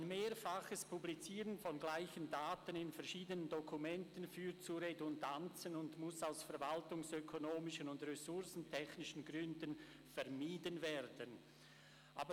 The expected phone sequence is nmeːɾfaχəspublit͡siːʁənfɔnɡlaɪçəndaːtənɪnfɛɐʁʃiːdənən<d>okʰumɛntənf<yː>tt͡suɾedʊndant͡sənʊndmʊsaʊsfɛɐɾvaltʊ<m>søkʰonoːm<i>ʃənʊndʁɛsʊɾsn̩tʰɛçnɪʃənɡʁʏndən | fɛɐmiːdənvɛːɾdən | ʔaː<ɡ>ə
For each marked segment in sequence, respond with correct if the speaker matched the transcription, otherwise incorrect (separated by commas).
correct, correct, incorrect, incorrect, incorrect